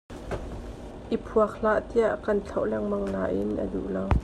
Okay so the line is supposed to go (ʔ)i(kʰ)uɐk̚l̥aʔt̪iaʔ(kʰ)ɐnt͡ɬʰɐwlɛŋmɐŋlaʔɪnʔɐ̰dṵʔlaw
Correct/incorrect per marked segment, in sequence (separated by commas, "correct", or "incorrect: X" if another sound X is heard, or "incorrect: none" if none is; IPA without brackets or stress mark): correct, incorrect: pʰ, incorrect: k